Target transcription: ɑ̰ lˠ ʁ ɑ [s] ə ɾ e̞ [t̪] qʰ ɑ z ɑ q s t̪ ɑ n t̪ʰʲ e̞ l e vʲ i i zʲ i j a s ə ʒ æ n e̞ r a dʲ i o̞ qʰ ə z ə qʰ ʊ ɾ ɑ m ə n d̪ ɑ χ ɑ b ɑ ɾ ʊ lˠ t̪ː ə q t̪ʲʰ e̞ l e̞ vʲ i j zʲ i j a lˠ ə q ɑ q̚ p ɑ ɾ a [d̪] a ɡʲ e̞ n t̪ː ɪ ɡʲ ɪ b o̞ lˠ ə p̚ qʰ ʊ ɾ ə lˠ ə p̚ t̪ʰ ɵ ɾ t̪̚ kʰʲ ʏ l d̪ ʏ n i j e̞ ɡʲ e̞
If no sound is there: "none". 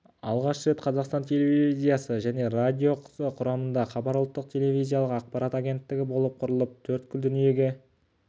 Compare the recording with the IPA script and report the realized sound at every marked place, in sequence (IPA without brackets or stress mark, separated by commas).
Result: ʃ, t̪, t̪